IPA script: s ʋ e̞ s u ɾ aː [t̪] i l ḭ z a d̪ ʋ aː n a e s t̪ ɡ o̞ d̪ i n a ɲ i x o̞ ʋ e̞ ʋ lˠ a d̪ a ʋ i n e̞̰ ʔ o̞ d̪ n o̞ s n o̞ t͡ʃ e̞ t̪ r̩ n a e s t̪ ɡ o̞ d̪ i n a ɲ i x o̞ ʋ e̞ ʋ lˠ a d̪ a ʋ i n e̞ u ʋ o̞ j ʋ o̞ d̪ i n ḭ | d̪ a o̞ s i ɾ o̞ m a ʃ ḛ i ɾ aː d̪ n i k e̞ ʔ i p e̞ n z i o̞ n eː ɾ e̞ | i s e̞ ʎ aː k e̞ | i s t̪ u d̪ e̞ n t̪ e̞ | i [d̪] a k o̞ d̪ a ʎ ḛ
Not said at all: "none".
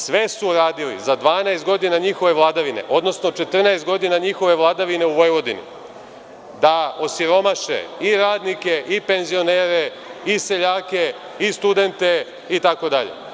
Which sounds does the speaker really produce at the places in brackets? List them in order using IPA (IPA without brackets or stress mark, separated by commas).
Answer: d̪, t̪